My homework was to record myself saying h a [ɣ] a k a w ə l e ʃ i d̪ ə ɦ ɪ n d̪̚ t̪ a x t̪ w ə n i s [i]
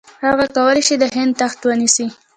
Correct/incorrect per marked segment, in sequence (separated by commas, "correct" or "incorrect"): correct, correct